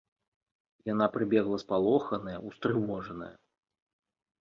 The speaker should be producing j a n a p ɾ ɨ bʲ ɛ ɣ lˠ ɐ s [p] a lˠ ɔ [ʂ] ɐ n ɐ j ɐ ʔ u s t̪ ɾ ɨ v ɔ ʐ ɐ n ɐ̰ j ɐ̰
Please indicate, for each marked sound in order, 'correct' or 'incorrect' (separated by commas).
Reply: correct, incorrect